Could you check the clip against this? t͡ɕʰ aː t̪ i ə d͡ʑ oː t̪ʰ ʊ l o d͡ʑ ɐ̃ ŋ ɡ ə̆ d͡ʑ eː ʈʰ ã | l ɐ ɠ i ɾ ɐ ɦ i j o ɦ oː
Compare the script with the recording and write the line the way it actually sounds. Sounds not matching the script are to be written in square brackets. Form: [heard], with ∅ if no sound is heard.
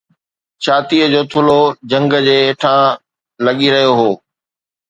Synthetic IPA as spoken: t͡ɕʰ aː t̪ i ə d͡ʑ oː t̪ʰ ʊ l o d͡ʑ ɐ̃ ŋ ɡ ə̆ d͡ʑ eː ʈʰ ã | l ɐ ɠ i ɾ ɐ ɦ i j o ɦ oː